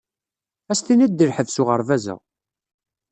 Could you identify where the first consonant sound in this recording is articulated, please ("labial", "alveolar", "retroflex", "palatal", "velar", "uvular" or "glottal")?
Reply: alveolar